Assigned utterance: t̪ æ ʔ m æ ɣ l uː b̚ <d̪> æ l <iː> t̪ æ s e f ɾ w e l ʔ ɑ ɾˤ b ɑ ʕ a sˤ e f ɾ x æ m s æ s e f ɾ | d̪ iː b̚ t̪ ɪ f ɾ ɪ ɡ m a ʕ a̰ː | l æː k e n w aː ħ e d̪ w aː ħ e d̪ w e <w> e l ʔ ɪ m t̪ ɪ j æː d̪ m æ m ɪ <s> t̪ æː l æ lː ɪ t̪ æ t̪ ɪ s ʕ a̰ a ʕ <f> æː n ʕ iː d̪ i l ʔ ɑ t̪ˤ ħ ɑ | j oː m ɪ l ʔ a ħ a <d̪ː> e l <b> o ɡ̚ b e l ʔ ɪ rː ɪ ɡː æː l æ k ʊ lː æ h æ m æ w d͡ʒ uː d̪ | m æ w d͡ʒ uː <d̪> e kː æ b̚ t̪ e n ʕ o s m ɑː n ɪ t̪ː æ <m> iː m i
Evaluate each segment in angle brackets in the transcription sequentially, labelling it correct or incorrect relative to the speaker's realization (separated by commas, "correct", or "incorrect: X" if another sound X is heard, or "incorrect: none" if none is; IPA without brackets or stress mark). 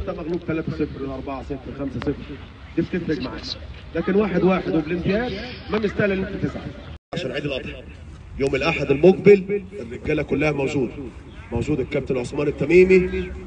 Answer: incorrect: t̪, incorrect: æː, incorrect: b, correct, incorrect: ʃ, incorrect: d̪, incorrect: m, correct, correct